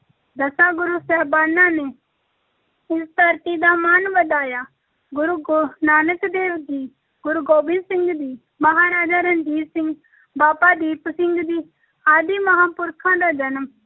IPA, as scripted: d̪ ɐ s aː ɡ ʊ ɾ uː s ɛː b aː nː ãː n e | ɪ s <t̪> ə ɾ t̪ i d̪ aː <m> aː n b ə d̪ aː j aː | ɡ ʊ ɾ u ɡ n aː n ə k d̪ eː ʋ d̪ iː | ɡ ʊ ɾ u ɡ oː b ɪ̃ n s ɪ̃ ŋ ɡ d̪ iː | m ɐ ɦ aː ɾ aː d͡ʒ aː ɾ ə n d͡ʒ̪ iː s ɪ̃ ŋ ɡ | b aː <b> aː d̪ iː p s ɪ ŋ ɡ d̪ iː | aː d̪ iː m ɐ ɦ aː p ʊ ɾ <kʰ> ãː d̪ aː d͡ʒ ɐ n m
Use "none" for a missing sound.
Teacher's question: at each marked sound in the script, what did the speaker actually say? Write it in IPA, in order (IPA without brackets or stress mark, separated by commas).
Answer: t̪, m, p, kʰ